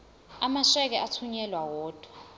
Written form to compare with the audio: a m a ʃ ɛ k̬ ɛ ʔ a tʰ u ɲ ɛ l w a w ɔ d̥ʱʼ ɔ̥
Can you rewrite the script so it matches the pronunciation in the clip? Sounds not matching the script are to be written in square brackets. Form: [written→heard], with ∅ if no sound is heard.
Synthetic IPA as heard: a m a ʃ ɛ k̬ ɛ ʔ a tʰ u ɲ ɛ l w a w [ɔ→ɔː] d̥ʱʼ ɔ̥

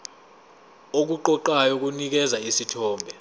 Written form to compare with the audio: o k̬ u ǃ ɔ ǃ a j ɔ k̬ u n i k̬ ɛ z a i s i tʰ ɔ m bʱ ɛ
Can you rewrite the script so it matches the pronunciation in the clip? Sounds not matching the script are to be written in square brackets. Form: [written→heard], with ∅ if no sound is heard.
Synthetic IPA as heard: o k̬ u ǃ ɔ ǃ a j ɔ k̬ u n i k̬ ɛ z a i s i tʰ [ɔ→ɔː] m bʱ ɛ

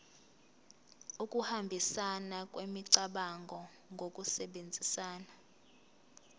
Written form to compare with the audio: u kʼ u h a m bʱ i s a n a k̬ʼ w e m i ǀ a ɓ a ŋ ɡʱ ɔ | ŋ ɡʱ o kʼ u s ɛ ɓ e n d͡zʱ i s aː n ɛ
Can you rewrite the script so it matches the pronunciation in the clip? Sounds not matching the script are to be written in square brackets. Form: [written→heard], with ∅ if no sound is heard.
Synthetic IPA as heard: u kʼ u h a m bʱ i s a n a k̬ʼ w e m i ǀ a ɓ a ŋ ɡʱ ɔ | ŋ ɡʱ o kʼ u s ɛ ɓ e n d͡zʱ i s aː n [ɛ→a]

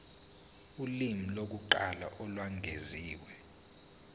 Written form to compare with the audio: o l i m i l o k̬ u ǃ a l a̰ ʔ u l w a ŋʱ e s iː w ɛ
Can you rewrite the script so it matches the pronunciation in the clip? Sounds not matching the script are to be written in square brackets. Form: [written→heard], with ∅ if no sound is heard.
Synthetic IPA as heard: [o→u] l i m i l o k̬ u ǃ a l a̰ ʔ [u→ɔ] l w a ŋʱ e [s→z] iː w ɛ

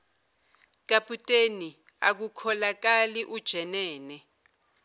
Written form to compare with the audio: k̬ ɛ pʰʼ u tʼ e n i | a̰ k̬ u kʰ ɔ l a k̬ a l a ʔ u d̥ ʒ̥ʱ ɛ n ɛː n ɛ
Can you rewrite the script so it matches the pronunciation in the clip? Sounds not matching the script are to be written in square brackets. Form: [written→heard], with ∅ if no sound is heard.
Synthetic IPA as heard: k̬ [ɛ→a] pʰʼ u tʼ e n i | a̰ k̬ u kʰ ɔ l a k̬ a l [a→i] ʔ u d̥ ʒ̥ʱ ɛ n ɛː n ɛ

